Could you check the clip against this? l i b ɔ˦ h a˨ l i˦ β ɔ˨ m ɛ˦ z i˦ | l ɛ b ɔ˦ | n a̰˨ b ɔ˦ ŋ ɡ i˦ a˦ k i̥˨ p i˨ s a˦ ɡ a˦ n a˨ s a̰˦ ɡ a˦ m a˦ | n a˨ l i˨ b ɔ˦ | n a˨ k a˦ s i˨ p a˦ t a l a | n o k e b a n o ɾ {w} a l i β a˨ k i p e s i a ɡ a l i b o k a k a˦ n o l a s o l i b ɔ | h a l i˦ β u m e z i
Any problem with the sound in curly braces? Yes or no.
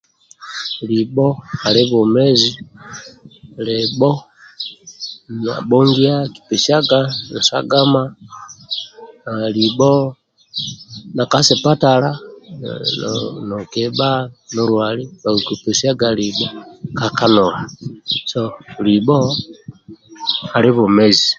no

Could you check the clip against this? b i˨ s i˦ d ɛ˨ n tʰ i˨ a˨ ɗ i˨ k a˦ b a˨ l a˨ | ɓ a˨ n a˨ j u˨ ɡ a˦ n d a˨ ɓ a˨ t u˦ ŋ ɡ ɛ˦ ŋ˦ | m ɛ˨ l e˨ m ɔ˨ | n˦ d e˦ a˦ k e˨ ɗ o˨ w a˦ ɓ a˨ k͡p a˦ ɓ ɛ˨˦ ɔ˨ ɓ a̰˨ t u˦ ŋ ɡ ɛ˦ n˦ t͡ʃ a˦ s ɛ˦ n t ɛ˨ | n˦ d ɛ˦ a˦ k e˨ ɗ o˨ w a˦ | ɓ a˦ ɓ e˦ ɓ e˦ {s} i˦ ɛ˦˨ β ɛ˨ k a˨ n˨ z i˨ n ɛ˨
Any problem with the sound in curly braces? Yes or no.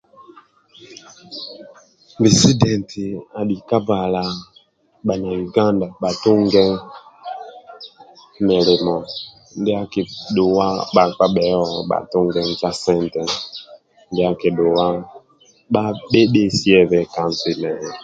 no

